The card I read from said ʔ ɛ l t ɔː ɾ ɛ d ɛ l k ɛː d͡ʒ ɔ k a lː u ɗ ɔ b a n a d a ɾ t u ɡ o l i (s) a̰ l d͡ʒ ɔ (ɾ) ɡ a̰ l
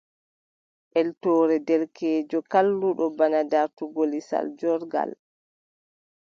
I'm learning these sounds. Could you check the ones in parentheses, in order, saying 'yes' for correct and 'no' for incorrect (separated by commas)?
yes, yes